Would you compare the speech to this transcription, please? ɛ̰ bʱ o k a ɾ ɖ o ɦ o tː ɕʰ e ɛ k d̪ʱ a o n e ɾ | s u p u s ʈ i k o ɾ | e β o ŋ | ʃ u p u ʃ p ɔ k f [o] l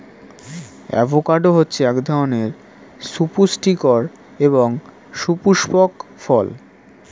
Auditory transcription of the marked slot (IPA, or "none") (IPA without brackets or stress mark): ɔ